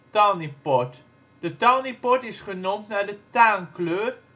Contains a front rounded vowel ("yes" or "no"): yes